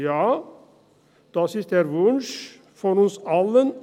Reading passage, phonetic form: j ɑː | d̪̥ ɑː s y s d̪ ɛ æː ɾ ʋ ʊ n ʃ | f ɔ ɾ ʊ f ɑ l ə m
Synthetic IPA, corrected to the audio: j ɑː | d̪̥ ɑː s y s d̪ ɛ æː ɾ ʋ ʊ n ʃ | f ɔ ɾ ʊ s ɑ l ə n